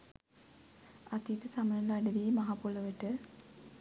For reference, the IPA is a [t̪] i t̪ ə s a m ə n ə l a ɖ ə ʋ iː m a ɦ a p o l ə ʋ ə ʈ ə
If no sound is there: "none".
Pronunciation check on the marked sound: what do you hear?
t̪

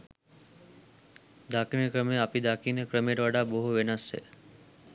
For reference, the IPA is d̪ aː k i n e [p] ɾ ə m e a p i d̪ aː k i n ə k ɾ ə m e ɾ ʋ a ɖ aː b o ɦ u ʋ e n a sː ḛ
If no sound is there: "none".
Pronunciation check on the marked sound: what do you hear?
k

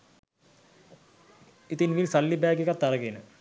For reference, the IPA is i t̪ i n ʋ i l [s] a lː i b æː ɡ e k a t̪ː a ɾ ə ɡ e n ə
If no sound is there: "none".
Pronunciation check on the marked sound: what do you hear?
s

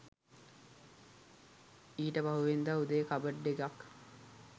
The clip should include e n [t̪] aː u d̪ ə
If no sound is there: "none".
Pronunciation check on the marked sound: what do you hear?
d̪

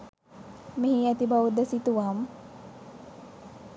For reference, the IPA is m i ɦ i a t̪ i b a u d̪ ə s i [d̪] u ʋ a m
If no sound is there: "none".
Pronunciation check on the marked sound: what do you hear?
t̪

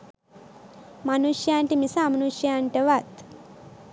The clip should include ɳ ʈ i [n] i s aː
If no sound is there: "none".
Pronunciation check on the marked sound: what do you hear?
m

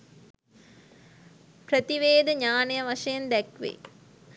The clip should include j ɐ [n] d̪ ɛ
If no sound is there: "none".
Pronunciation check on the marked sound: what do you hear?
n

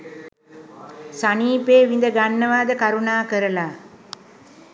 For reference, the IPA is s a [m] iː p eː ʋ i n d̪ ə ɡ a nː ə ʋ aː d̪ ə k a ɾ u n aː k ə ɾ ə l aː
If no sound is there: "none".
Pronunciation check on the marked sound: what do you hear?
n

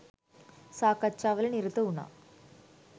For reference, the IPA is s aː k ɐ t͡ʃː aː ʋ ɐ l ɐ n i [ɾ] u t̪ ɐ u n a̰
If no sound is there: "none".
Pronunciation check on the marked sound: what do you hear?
ɾ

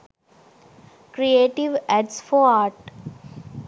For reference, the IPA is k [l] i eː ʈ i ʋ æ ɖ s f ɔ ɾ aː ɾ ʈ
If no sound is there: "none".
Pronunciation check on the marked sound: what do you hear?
ɾ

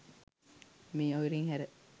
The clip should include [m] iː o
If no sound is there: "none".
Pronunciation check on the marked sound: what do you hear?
m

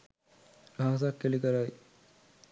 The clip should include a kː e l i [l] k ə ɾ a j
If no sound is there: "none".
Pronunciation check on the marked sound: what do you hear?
none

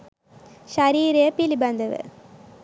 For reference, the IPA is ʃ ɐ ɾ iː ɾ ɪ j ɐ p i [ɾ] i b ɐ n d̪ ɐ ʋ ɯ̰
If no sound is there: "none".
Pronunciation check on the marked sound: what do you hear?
l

